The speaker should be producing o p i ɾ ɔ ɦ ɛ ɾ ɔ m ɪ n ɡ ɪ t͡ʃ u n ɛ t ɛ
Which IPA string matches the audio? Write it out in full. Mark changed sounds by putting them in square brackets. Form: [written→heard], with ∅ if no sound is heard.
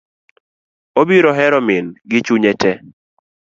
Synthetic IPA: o [p→b] i ɾ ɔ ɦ ɛ ɾ ɔ m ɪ n ɡ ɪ t͡ʃ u [n→ɲ] ɛ t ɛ